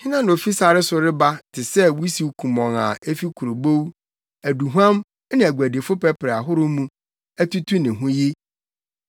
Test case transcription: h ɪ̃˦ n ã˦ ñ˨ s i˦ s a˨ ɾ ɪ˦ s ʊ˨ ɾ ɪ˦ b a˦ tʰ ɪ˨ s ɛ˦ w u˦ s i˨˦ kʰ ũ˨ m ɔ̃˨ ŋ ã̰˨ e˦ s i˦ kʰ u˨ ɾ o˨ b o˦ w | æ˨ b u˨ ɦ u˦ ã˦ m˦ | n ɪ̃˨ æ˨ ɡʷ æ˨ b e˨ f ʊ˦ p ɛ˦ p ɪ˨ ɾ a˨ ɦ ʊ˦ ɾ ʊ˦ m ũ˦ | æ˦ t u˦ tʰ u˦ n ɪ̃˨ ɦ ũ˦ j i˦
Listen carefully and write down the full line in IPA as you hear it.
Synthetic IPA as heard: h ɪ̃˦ n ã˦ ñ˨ f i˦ s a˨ ɾ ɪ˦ s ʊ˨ ɾ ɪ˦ b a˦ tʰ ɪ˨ s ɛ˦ w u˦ s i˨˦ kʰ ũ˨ m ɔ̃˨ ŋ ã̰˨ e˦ f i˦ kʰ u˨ ɾ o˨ b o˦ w | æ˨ d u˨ ɦ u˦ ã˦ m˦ | n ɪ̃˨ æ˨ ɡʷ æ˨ d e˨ f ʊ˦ p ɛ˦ p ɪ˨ ɾ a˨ ɦ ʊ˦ ɾ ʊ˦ m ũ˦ | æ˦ t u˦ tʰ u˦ n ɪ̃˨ ɦ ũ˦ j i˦